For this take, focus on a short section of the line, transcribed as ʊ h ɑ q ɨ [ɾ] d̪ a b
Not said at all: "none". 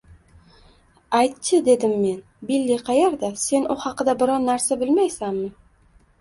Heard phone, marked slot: none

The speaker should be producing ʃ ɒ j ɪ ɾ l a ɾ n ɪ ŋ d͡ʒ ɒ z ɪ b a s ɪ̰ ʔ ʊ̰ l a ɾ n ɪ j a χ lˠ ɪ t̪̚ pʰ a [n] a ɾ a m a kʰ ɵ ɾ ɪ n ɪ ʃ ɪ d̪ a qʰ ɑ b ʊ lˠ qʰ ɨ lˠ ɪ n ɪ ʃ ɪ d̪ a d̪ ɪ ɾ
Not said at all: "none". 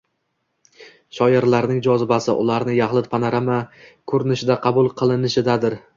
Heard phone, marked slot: n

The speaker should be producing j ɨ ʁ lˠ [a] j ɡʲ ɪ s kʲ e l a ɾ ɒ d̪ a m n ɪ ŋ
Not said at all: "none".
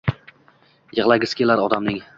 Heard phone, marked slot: a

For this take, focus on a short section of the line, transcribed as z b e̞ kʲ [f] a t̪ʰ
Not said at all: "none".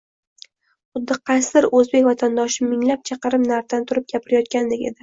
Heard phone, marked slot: v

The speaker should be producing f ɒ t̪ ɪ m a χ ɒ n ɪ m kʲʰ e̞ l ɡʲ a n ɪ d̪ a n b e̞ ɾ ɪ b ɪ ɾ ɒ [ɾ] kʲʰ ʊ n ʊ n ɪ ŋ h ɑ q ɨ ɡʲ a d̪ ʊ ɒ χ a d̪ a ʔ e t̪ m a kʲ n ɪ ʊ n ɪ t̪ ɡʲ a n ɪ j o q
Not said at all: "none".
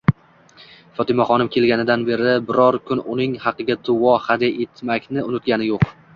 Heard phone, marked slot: ɾ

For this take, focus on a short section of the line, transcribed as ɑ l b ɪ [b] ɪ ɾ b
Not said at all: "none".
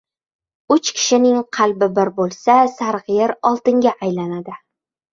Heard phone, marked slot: b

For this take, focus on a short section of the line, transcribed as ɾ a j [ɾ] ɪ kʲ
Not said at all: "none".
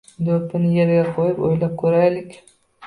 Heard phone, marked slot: l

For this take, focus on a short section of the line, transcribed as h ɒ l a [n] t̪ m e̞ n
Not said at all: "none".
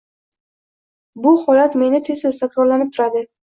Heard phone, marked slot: none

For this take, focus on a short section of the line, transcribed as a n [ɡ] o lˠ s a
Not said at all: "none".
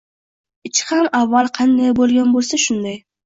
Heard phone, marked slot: b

